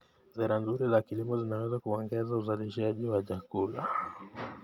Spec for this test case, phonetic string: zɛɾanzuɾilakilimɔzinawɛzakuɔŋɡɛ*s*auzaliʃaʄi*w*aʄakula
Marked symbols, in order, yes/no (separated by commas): no, yes